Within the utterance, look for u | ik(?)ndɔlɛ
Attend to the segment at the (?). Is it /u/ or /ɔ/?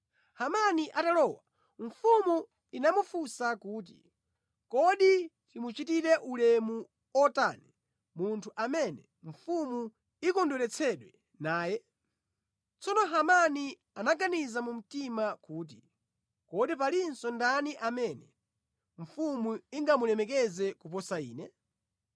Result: ɔ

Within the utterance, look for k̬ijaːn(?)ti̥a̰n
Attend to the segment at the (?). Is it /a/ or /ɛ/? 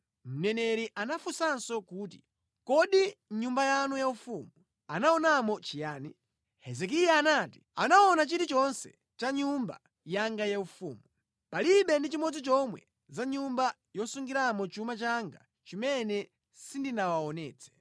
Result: a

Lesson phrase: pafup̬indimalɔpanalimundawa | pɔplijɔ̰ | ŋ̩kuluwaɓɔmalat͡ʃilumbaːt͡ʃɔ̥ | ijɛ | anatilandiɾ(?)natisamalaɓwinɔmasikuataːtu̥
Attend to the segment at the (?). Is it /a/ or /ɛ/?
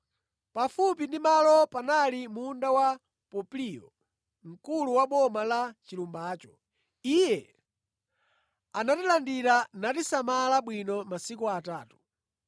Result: a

